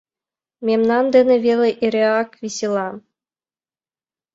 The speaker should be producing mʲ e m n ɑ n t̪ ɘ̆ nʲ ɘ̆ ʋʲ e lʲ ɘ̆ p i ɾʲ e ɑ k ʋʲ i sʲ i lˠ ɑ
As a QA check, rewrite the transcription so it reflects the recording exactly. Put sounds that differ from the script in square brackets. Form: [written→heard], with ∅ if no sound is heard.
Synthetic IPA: mʲ e m n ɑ n [t̪→d̪] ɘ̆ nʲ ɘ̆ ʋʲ e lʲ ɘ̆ [p→ʔ] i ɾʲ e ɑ k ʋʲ i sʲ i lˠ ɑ